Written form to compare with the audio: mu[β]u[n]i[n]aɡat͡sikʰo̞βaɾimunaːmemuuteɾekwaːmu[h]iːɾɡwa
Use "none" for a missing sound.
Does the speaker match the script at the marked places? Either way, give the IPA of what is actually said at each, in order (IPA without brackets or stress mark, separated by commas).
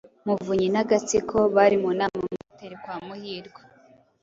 v, ɲ, n, h